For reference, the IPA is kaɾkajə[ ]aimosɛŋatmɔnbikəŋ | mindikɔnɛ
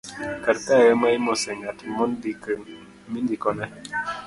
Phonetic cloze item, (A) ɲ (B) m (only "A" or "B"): B